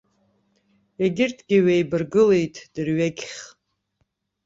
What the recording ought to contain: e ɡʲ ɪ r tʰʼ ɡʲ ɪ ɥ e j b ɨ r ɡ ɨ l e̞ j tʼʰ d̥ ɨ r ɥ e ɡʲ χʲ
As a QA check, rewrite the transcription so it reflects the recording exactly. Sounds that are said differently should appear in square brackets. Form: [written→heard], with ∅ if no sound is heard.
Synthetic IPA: e ɡʲ ɪ r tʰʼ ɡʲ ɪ ɥ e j b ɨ r ɡ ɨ l e̞ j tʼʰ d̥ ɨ r ɥ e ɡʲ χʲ